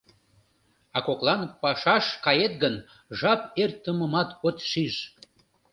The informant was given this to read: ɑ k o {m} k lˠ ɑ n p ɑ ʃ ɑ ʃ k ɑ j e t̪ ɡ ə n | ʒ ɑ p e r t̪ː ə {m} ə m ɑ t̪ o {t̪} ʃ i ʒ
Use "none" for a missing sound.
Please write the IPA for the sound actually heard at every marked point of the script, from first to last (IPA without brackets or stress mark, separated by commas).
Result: none, m, t̪